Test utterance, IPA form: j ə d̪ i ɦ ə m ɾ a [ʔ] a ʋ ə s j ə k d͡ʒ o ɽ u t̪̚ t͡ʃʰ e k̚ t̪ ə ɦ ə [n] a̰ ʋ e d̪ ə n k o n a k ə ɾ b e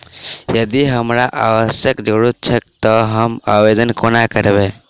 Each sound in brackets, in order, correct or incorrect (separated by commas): correct, incorrect